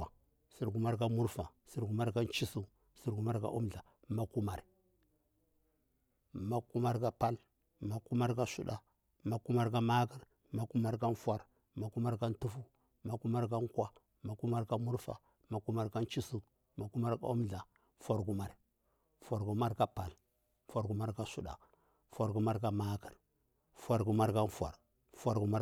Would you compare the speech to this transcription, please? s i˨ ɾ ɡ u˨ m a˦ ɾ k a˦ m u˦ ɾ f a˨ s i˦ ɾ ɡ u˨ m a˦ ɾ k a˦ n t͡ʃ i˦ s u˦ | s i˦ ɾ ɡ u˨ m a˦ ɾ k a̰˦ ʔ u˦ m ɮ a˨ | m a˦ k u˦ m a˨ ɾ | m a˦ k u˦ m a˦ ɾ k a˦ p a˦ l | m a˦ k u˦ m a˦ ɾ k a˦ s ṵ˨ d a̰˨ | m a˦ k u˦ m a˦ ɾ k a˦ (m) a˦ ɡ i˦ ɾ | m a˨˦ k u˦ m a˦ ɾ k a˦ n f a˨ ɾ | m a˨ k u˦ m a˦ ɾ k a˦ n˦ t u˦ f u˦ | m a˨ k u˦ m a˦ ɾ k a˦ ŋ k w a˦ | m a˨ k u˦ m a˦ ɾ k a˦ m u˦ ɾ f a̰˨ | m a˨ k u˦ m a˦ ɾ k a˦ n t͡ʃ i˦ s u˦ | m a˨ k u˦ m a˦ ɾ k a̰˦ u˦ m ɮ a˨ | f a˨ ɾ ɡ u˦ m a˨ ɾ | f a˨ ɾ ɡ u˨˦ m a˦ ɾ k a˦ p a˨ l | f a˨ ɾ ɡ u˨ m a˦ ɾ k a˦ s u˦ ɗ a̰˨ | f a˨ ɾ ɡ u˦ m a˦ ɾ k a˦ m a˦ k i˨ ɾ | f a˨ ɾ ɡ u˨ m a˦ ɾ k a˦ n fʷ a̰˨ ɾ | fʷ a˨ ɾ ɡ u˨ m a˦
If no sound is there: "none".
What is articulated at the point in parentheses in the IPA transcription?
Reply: m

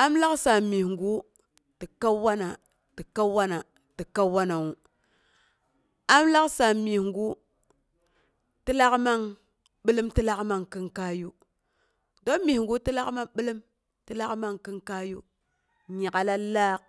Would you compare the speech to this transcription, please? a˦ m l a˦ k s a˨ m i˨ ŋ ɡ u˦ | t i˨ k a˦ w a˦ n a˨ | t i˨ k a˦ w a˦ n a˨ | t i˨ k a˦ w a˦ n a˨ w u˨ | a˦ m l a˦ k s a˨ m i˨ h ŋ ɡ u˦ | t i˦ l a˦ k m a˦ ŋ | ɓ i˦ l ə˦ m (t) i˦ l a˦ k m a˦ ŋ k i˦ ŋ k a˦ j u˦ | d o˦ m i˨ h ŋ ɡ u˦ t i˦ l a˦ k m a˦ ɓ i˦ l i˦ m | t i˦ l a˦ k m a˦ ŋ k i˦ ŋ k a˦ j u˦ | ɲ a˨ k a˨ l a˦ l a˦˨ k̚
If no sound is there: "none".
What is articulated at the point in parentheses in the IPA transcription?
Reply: t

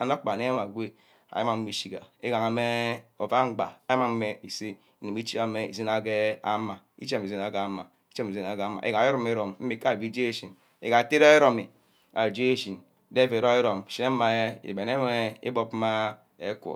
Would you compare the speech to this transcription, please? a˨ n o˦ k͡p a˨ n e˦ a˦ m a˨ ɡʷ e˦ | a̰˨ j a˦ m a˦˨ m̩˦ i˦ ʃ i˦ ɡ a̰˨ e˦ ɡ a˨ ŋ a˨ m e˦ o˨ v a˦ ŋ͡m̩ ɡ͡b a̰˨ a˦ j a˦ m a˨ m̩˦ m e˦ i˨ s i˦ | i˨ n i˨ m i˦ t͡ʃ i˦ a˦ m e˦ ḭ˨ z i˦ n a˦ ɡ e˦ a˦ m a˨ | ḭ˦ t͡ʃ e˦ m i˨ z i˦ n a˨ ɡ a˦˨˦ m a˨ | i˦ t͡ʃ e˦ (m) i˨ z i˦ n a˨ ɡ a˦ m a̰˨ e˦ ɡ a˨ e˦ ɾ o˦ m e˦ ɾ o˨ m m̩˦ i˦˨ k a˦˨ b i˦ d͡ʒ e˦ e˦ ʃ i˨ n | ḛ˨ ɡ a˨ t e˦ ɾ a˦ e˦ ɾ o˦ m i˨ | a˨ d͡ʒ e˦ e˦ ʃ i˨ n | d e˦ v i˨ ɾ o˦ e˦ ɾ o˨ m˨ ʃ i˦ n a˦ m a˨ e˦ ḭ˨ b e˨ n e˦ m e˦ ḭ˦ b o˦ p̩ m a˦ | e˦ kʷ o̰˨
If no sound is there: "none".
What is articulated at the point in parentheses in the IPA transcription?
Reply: m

